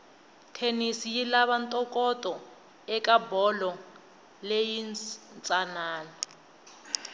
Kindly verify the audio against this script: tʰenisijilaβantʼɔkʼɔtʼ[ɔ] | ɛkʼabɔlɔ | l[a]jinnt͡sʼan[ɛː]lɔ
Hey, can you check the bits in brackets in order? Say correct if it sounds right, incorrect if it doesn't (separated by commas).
correct, incorrect, incorrect